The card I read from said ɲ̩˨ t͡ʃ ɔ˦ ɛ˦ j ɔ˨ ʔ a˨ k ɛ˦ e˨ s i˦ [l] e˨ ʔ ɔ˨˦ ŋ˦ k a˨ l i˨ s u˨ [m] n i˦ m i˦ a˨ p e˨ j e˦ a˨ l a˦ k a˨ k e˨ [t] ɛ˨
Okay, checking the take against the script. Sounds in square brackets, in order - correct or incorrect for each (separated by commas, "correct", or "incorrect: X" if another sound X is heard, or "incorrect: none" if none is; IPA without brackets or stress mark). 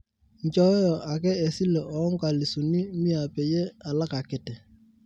correct, incorrect: none, correct